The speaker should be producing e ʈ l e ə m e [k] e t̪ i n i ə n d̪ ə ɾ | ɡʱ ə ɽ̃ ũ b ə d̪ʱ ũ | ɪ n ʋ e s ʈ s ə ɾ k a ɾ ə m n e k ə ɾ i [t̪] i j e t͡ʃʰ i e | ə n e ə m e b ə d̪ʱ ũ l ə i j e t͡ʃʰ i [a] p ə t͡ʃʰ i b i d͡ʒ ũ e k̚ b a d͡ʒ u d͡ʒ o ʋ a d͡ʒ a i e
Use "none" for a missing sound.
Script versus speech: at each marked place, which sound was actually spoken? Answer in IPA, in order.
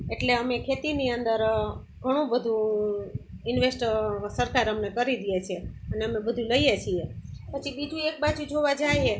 kʰ, d̪, e

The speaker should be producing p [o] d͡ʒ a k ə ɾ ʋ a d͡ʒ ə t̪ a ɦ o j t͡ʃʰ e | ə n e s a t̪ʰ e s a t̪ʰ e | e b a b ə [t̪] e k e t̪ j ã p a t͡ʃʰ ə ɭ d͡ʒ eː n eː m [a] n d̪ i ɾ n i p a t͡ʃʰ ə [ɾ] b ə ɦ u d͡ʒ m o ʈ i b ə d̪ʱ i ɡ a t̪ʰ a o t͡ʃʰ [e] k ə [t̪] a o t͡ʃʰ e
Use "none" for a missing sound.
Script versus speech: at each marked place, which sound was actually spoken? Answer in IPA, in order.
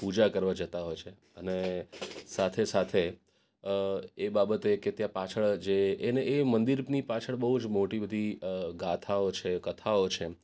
u, t̪, ə, ɭ, e, t̪ʰ

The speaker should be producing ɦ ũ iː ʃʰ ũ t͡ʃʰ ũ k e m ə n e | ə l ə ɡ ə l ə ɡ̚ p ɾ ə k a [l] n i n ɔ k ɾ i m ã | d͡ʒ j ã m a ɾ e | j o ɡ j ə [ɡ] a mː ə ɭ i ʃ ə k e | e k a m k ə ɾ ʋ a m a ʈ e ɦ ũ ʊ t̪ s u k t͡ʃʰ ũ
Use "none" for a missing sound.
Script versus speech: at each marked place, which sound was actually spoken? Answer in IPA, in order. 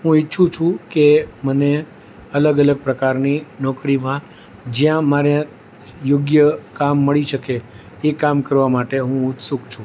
ɾ, k

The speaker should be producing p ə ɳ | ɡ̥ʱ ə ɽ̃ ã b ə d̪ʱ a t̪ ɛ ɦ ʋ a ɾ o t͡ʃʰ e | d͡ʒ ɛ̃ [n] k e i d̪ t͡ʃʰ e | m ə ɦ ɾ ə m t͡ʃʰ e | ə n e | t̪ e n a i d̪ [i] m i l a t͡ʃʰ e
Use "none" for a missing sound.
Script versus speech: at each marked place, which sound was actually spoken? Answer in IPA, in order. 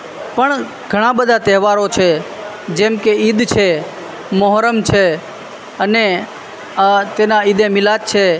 m, e

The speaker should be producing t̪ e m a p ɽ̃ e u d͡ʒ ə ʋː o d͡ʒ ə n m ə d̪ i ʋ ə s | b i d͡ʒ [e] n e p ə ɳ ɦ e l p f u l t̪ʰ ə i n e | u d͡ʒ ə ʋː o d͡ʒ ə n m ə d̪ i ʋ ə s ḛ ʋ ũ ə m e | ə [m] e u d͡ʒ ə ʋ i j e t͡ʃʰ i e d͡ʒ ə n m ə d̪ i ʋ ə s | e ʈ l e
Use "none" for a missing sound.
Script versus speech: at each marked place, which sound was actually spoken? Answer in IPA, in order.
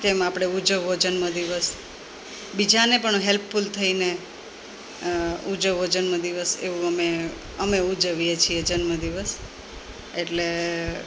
a, m

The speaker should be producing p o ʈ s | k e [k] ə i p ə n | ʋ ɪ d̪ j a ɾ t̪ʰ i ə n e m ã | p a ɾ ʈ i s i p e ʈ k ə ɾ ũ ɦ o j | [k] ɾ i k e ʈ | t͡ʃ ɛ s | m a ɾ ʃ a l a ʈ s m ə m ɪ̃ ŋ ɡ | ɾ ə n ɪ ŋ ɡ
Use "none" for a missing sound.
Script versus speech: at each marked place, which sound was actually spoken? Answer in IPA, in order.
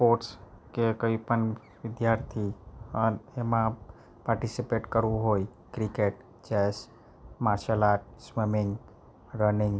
k, k

